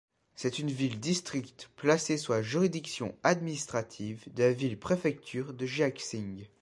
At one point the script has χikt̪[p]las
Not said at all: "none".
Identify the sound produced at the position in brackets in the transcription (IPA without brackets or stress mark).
p